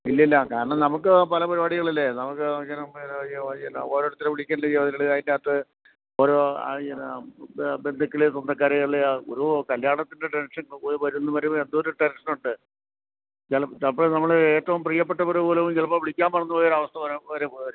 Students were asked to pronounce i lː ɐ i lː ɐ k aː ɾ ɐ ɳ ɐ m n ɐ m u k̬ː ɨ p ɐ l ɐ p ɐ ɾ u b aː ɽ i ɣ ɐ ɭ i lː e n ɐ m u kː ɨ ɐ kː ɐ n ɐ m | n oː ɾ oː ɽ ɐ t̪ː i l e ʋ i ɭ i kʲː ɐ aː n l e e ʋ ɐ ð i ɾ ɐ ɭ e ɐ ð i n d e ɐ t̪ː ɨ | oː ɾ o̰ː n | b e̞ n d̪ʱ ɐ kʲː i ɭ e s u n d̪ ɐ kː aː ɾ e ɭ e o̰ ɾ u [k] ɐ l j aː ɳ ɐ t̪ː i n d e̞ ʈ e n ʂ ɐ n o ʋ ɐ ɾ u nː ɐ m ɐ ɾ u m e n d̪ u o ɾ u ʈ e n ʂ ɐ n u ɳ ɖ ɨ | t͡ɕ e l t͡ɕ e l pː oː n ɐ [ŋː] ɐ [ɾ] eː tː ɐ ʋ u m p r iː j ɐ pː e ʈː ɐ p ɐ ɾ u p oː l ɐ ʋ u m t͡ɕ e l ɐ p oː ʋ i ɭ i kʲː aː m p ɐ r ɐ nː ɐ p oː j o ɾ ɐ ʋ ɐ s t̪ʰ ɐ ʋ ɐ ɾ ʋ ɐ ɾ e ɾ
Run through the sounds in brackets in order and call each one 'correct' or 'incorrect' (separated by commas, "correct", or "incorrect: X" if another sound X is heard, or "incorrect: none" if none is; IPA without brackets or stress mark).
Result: correct, incorrect: mː, incorrect: ɭ